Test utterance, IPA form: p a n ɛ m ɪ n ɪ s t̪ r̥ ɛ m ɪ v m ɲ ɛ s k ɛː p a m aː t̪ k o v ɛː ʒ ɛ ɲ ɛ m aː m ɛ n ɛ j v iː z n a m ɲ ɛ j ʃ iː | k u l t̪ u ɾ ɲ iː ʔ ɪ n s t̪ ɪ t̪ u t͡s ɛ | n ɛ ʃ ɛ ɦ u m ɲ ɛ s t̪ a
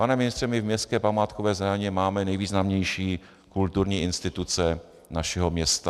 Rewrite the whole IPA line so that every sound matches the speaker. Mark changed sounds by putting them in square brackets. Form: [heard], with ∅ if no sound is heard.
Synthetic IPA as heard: p a n ɛ m ɪ n ɪ s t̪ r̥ ɛ m ɪ v m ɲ ɛ s k ɛː p a m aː t̪ k o v ɛː [z] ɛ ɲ ɛ m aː m ɛ n ɛ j v iː z n a m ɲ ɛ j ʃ iː | k u l t̪ u ɾ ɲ iː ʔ ɪ n s t̪ ɪ t̪ u t͡s ɛ | n [a] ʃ ɛ ɦ [o] m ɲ ɛ s t̪ a

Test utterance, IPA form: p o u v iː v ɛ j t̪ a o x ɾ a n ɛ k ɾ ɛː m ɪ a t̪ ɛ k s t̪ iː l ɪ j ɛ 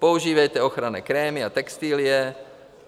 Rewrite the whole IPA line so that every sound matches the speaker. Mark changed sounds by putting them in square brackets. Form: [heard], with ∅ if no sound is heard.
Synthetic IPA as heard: p o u [ʒ] iː v ɛ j t̪ [ɛ] o x ɾ a n ɛ k ɾ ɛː m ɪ a t̪ ɛ k s t̪ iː l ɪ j ɛ

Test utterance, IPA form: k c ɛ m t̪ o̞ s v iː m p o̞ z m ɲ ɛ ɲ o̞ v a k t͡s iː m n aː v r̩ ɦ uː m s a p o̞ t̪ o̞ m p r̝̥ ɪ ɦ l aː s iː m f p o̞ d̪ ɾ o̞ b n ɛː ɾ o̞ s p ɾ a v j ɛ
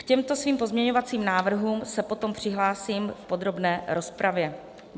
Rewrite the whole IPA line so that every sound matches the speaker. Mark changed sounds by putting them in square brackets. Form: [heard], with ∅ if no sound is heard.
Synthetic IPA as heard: k c ɛ m t̪ o̞ s v iː m p o̞ z m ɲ ɛ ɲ o̞ v a [∅] t͡s iː m n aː v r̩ ɦ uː m s [ɛ] p o̞ t̪ o̞ m p r̝̥ ɪ ɦ l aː s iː m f p o̞ d̪ ɾ o̞ b n ɛː ɾ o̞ s p ɾ a v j ɛ

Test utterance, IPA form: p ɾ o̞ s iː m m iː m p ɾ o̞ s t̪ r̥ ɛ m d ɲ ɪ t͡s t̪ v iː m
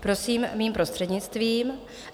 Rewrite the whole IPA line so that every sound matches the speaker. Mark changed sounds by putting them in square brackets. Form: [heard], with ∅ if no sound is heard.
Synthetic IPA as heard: p ɾ o̞ s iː m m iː m p ɾ o̞ s t̪ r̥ ɛ [∅] d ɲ ɪ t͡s t̪ v iː m

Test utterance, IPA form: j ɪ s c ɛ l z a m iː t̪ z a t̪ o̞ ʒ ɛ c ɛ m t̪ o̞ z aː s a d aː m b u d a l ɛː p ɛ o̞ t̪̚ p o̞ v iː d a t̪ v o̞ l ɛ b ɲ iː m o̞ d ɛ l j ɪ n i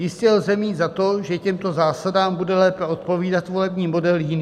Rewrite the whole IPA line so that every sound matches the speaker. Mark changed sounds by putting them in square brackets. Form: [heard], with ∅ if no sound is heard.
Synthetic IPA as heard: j ɪ s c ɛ l z [ɛ] m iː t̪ z a t̪ o̞ ʒ ɛ c ɛ m t̪ o̞ z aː s a d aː m b u d [ɛ] l ɛː p ɛ o̞ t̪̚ p o̞ v iː d a t̪ v o̞ l ɛ b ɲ iː m o̞ d ɛ l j ɪ n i

